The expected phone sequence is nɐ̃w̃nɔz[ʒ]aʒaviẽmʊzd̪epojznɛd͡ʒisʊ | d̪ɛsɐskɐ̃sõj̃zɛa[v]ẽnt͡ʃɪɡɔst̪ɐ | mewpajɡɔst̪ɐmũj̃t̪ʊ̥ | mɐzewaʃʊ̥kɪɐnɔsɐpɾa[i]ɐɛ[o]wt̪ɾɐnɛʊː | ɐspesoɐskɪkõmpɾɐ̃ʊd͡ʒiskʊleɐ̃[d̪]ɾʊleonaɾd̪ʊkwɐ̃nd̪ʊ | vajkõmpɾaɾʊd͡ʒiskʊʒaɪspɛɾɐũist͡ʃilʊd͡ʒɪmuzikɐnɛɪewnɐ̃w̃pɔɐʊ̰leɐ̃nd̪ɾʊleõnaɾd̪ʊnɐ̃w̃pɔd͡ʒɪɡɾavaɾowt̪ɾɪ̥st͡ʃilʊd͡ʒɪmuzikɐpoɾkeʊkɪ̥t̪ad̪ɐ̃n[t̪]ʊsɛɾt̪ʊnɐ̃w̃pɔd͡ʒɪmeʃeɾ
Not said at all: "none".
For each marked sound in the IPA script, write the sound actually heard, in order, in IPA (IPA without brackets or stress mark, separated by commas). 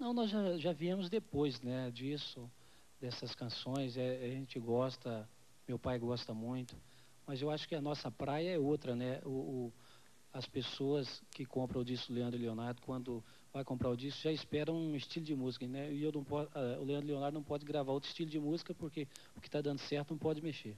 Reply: ʒ, ʒ, j, o, d̪, d̪